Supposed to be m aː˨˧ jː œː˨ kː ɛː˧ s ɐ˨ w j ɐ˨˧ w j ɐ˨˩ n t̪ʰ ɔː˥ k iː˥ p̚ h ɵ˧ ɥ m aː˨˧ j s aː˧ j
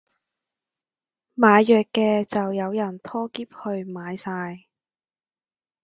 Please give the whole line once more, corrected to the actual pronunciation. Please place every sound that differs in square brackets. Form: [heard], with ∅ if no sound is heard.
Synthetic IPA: m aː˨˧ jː œː˨ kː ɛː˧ [t͡s] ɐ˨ w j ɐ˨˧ w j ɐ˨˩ n t̪ʰ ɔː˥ k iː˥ p̚ h ɵ˧ ɥ m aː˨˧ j s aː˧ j